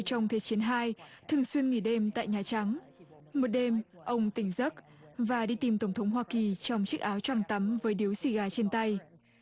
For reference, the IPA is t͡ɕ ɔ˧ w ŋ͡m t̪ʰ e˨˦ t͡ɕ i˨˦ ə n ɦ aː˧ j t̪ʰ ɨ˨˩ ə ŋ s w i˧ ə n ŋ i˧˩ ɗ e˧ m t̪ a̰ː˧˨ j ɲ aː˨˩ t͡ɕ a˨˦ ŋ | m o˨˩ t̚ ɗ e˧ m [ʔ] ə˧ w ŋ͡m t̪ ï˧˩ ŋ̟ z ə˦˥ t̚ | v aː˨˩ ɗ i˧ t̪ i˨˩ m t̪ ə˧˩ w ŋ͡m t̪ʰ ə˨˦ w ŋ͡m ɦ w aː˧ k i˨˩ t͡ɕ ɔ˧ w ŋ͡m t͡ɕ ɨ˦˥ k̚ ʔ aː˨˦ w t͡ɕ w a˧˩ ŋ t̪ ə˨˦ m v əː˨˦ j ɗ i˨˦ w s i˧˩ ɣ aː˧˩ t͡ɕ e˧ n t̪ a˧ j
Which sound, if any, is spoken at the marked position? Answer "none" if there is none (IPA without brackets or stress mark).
ʔ